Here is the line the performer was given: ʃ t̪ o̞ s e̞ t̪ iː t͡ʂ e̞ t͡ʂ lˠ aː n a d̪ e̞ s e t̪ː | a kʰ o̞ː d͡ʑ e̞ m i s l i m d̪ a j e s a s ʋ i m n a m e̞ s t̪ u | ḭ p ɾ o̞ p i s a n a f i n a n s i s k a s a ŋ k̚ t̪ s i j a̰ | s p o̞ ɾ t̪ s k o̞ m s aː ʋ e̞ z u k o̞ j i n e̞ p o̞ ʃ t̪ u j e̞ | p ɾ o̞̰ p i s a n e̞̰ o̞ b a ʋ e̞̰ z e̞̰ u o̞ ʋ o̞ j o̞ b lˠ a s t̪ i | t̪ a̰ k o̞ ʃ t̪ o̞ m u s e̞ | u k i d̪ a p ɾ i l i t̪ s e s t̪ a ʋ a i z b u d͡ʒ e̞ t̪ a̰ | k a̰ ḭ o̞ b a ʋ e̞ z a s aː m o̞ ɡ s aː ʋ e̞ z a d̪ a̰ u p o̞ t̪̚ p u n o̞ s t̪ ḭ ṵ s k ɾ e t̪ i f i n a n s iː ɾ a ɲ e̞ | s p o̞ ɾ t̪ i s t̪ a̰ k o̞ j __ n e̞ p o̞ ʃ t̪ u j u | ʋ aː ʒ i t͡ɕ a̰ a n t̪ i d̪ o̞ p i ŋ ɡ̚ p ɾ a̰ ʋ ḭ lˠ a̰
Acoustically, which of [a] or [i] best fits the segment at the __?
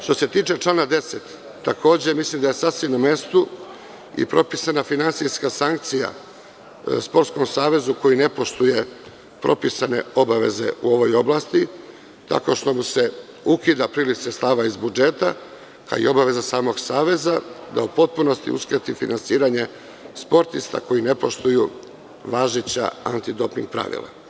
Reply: i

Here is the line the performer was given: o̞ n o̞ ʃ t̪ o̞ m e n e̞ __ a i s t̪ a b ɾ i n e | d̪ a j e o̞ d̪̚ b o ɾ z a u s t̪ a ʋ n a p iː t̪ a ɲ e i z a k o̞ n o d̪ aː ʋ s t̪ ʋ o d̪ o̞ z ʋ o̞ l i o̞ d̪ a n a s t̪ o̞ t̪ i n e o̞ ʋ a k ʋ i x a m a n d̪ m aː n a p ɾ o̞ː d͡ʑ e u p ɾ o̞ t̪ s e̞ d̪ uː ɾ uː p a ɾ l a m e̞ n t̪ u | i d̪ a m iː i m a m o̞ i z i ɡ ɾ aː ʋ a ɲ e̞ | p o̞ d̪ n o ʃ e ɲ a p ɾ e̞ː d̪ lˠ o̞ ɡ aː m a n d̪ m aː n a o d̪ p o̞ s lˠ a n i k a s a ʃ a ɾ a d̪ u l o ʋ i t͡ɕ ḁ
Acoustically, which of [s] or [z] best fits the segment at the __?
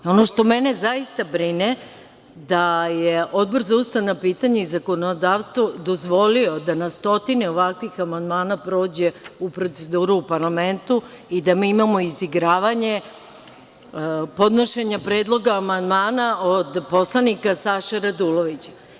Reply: z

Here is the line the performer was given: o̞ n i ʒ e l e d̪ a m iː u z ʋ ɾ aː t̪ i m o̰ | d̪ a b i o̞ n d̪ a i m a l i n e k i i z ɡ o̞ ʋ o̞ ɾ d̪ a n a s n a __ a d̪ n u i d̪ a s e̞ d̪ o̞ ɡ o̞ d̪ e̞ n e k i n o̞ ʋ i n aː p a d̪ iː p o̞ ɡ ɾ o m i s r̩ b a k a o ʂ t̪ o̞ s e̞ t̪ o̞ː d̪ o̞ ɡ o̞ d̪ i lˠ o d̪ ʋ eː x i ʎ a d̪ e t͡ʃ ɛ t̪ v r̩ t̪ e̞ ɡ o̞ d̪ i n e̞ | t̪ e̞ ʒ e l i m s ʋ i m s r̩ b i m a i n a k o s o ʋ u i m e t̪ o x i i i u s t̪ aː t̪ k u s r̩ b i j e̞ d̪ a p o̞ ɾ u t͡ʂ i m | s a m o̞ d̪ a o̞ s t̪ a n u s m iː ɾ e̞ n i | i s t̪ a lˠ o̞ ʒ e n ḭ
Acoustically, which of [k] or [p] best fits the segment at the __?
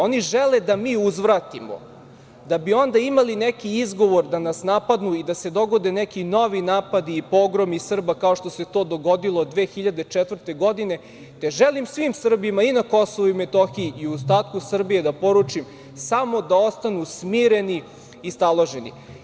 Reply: p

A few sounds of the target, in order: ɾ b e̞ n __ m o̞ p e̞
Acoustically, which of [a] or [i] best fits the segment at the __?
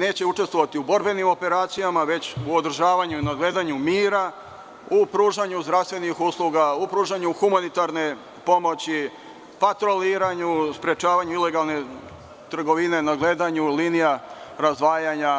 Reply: i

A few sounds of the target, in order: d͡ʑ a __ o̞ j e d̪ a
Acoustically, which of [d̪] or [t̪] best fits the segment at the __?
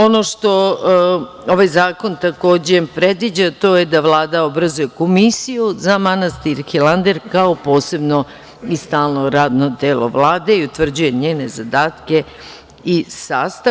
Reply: t̪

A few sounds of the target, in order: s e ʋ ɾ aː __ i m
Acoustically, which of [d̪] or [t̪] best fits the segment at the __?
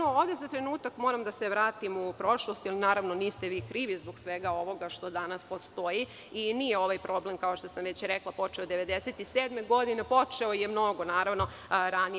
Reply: t̪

